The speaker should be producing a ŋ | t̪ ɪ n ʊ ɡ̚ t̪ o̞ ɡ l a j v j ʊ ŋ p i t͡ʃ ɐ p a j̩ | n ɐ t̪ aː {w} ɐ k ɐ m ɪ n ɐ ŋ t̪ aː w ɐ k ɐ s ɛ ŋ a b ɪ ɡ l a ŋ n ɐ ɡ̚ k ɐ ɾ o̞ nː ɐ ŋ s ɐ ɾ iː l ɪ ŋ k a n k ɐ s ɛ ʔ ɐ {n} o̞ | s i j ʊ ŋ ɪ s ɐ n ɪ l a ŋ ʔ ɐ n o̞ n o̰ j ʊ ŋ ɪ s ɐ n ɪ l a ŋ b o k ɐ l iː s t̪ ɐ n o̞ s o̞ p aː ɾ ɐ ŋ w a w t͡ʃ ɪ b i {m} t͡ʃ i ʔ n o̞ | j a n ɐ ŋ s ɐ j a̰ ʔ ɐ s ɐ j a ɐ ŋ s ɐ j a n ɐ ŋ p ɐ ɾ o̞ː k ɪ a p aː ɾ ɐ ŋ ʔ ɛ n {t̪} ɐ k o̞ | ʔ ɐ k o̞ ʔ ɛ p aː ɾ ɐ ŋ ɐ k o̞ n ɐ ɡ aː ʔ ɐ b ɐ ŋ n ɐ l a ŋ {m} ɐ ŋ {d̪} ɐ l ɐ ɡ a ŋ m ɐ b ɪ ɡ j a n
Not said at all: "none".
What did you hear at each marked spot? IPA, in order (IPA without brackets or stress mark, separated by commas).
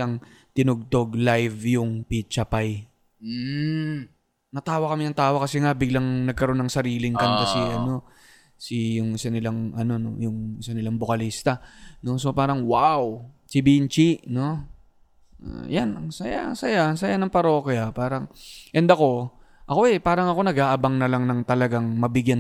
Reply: w, n, n, d̪, n, t̪